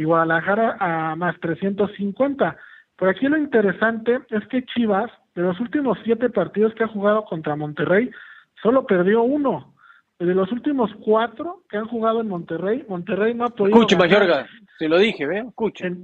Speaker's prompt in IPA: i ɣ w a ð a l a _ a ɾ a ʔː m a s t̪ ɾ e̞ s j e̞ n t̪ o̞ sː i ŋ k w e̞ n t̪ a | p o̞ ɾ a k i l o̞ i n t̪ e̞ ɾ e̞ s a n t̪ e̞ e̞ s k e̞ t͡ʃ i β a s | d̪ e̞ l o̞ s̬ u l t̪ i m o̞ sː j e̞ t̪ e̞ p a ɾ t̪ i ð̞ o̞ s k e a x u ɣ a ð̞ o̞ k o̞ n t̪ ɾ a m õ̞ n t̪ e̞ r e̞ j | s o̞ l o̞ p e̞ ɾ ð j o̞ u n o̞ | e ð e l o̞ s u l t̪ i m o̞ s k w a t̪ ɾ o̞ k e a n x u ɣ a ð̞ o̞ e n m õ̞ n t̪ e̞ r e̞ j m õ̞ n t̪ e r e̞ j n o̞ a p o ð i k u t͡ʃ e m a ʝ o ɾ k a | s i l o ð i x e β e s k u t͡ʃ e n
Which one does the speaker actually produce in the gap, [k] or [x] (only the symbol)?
x